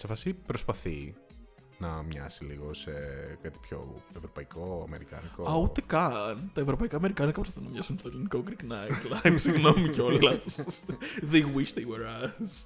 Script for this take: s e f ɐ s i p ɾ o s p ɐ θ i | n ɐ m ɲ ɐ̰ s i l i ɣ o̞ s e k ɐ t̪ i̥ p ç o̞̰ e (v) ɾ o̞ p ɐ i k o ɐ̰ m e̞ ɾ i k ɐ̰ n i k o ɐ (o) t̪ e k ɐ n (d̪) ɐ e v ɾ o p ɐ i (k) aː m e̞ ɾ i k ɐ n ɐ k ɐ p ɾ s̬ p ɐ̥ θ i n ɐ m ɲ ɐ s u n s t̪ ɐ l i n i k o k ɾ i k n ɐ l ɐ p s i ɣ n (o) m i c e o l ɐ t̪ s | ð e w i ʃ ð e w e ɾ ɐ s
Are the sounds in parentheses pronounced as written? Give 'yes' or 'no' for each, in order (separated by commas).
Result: yes, no, no, yes, yes